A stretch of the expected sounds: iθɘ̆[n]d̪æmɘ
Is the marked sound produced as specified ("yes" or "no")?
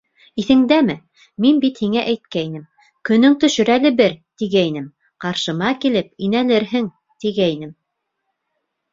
no